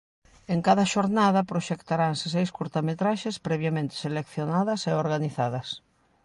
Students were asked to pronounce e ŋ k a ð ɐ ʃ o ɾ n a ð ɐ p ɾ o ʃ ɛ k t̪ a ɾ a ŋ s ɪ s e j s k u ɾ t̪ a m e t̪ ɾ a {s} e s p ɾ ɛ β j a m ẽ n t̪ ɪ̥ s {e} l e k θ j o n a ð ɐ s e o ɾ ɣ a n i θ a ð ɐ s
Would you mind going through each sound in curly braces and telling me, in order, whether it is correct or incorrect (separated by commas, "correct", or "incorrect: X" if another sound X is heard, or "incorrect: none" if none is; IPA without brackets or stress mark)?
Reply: incorrect: ʃ, correct